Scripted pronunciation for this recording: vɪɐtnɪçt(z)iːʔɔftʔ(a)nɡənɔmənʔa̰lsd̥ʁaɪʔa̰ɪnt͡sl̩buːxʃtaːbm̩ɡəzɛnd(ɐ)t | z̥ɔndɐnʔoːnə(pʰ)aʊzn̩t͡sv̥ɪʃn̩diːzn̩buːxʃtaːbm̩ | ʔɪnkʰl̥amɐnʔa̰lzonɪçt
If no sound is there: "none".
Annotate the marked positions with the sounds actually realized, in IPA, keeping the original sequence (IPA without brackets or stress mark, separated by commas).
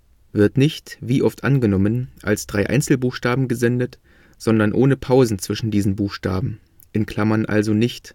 v, a, ə, pʰ